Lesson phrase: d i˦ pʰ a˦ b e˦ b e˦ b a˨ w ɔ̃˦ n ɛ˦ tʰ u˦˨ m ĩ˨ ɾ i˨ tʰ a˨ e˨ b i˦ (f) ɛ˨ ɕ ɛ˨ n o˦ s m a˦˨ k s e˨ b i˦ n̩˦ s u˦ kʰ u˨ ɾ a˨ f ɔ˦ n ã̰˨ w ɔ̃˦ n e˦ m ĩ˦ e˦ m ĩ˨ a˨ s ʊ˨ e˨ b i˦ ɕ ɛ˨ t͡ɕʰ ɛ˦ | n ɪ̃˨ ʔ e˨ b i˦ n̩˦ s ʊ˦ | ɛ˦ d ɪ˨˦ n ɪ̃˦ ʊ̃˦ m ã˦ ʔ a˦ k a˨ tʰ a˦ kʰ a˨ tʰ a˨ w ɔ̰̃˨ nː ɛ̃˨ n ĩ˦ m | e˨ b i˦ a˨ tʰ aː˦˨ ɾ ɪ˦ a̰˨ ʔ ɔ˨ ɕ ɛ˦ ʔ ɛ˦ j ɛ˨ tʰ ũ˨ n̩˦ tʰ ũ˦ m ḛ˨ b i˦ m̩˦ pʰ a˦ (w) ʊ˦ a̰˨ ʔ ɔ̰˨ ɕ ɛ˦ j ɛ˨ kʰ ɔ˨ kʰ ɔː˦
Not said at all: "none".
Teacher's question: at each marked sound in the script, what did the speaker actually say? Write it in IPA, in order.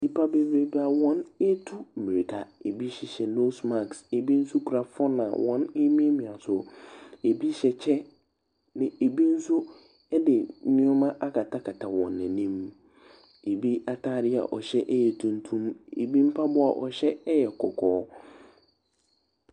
ɕ, b

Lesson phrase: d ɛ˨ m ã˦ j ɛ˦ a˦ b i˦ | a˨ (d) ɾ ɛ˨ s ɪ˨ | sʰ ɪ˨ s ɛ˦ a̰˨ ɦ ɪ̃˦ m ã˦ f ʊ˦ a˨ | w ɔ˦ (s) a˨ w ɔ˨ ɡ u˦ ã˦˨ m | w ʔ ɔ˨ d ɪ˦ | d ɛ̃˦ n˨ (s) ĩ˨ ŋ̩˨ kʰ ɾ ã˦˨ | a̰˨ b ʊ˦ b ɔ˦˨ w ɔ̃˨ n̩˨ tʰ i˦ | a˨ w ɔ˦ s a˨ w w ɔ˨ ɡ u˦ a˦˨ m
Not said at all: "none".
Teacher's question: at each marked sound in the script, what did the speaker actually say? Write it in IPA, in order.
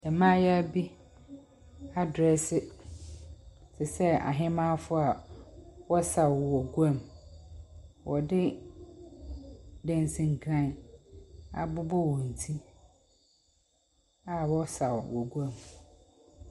d, s, s

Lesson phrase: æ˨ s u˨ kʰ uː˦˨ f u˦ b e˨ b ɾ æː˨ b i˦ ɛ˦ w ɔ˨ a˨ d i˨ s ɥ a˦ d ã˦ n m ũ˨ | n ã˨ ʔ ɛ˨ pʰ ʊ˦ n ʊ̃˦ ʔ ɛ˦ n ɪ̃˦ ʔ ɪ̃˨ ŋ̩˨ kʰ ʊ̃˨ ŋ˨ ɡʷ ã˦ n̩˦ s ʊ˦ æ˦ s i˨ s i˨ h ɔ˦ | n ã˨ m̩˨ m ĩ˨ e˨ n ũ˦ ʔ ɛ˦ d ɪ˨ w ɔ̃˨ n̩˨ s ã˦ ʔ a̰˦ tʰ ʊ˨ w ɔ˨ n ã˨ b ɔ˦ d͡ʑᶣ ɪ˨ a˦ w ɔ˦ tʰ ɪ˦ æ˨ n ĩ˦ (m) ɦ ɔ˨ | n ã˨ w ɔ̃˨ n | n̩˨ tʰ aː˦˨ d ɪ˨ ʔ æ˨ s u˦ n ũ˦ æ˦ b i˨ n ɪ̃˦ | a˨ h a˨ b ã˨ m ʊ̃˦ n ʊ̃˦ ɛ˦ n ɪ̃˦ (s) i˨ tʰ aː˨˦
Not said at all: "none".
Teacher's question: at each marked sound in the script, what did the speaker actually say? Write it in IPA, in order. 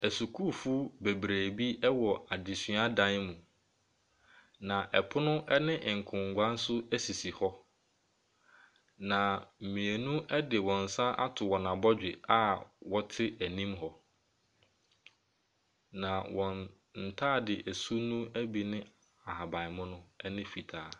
m, f

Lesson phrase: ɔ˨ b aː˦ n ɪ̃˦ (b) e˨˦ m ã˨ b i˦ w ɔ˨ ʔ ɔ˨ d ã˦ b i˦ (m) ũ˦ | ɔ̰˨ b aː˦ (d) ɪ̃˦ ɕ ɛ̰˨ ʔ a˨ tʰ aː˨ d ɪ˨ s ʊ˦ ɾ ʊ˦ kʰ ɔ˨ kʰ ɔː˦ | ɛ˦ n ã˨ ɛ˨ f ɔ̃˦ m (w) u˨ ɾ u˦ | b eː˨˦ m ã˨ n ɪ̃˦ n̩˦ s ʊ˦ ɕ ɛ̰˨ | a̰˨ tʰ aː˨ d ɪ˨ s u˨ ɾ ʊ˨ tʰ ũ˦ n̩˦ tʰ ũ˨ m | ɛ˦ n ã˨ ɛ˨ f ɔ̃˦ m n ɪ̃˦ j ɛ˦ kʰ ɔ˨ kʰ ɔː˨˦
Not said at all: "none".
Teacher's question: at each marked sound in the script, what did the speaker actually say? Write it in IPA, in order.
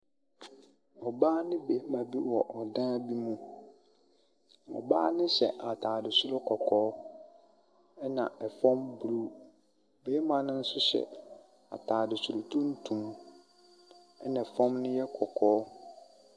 b, m, n, b

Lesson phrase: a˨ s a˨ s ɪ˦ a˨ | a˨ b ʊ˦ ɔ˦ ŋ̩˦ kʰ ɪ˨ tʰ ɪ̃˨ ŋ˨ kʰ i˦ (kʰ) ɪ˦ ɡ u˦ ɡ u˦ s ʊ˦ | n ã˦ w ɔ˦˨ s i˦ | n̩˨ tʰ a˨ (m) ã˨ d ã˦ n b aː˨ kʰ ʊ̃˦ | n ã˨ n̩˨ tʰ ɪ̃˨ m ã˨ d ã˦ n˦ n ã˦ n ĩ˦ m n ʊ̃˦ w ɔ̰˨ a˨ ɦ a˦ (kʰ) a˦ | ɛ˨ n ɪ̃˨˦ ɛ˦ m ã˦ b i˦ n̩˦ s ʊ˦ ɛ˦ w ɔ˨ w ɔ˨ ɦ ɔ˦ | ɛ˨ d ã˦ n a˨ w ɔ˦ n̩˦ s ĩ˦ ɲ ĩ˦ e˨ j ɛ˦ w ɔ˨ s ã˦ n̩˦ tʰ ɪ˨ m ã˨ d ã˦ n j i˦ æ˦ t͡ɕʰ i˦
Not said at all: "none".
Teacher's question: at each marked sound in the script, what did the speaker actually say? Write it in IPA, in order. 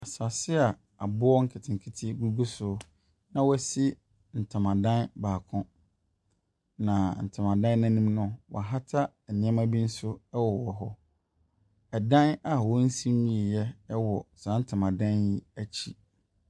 tʰ, m, tʰ

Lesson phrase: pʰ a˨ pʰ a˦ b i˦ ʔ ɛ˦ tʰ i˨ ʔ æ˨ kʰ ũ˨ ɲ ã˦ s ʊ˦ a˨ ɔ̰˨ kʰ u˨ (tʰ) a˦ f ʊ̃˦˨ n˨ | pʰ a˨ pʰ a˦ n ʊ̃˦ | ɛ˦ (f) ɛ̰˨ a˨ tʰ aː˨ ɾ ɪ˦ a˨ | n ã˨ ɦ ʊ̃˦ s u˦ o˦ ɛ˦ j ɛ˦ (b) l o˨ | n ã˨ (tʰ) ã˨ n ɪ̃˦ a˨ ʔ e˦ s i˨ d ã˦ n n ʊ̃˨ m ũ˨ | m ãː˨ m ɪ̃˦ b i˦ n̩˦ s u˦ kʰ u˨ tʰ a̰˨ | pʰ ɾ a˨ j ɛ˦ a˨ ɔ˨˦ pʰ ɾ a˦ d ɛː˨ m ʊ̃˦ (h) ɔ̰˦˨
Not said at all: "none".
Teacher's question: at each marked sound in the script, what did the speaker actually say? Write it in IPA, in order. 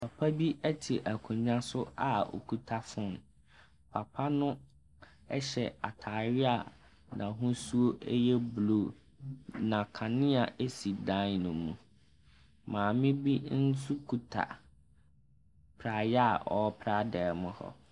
tʰ, ɕ, b, kʰ, h

